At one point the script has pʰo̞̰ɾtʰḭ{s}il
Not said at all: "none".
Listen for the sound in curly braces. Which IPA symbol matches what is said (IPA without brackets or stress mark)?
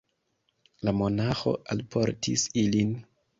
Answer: s